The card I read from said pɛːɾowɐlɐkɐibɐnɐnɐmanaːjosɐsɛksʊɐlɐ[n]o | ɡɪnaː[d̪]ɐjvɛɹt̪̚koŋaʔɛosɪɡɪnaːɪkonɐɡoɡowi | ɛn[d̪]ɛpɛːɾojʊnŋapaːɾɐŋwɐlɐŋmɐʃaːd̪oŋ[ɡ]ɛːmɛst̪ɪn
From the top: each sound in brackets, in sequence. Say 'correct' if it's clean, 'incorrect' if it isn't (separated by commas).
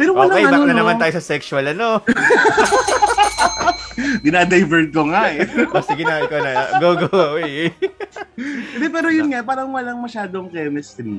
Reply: correct, correct, correct, incorrect